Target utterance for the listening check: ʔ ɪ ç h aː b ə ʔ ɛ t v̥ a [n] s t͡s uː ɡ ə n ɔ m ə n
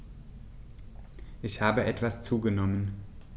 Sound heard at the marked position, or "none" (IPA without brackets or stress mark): none